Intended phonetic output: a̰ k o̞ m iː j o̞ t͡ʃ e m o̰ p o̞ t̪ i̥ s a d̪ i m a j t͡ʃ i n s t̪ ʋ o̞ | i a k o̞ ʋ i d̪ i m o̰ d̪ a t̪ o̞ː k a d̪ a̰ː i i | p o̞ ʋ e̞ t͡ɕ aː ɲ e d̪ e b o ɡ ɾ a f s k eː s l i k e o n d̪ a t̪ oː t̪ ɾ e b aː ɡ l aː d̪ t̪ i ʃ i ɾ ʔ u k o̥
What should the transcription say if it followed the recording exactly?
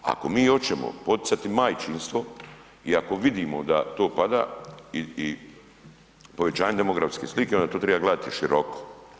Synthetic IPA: a̰ k o̞ m iː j o̞ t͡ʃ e m o̰ p o̞ t̪ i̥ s a t̪ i m a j t͡ʃ i n s t̪ ʋ o̞ | i a k o̞ ʋ i d̪ i m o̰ d̪ a t̪ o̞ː p a d̪ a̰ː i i | p o̞ ʋ e̞ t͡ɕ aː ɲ e d̪ e m o ɡ ɾ a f s k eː s l i k e o n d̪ a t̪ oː t̪ ɾ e b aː ɡ l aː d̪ t̪ i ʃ i ɾ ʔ o k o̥